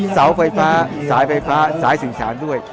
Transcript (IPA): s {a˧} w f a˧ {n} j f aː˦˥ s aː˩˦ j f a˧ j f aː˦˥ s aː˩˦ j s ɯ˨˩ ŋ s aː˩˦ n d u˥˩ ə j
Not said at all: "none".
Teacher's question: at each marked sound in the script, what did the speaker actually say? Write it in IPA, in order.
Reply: a˩˦, none

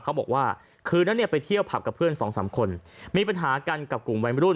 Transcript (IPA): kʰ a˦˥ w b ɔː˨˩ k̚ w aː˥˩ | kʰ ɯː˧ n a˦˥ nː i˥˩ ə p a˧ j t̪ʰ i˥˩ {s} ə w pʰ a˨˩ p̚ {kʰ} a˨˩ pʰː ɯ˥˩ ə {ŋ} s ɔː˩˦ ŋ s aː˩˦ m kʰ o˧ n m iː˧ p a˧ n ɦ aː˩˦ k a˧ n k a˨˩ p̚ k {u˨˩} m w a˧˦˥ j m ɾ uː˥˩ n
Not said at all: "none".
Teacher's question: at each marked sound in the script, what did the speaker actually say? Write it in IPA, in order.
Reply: none, k, n, u˨˩

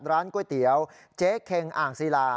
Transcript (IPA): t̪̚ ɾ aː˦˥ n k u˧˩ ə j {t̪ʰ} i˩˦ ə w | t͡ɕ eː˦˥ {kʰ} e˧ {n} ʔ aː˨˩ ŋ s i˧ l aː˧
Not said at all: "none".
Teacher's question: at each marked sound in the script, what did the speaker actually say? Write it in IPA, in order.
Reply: t̪, kʰ, ŋ

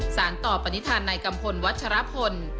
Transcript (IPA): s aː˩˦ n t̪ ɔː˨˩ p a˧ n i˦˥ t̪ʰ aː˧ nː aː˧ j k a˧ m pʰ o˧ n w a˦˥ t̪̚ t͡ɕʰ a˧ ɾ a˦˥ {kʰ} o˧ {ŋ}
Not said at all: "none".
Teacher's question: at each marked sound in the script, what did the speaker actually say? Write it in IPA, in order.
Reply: pʰ, n

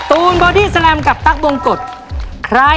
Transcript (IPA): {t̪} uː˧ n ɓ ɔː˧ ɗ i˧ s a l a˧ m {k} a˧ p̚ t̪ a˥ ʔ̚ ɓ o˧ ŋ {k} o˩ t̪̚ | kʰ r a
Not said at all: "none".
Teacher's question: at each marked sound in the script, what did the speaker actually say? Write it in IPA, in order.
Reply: t̪, k, k

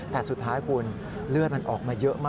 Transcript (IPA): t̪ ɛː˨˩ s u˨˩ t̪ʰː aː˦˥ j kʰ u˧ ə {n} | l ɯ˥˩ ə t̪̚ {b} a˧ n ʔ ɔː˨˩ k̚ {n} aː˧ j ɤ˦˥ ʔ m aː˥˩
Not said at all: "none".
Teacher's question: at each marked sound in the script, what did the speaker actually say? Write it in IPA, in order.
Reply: n, m, m

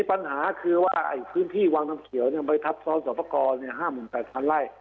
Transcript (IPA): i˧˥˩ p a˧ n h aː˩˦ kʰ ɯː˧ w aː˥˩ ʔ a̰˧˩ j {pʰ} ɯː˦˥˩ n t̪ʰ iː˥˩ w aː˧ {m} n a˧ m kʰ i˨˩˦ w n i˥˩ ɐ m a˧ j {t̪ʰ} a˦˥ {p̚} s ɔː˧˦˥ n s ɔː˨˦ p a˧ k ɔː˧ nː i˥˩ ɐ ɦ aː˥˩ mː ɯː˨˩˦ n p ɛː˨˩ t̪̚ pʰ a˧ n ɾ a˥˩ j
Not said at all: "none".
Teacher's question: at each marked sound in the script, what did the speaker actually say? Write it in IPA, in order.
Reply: pʰ, ŋ, t̪ʰ, p̚

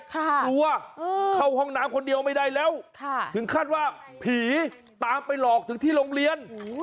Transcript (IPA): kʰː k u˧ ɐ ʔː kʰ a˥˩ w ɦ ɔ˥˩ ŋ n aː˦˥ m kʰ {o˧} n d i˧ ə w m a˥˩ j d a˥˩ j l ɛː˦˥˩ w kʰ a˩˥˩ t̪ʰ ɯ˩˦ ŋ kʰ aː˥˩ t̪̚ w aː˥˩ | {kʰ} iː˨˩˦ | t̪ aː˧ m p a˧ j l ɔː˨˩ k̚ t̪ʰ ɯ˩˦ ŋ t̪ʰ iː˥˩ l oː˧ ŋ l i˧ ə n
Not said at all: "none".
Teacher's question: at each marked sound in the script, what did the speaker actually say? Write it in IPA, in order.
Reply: o˧, pʰ

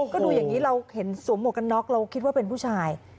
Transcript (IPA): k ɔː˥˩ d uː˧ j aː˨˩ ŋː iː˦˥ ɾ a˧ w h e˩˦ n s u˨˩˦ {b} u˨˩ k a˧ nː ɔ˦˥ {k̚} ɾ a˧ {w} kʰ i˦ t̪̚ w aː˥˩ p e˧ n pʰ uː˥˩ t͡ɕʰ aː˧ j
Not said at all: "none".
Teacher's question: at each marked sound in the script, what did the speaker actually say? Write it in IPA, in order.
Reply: m, k̚, w

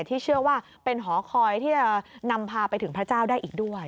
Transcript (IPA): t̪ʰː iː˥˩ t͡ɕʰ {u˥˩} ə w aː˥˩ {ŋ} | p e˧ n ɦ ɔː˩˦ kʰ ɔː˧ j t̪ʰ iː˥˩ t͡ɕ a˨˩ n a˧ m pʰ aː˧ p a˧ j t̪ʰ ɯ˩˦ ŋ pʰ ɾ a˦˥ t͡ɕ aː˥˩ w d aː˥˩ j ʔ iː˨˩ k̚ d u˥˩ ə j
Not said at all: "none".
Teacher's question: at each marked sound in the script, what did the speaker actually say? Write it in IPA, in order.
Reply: ɯ˥˩, none

